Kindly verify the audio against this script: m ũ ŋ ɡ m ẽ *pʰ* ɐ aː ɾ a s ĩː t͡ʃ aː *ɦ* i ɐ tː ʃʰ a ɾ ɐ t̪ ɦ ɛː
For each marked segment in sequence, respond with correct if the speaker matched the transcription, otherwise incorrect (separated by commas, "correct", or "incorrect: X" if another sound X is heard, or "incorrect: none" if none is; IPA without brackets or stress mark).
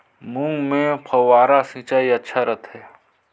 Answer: correct, incorrect: none